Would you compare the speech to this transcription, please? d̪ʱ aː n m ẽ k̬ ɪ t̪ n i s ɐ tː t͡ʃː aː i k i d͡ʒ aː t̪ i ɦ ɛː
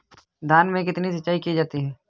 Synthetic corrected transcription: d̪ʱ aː n m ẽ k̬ ɪ t̪ n i s ɐ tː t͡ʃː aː i k i d͡ʒ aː t̪ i ɦ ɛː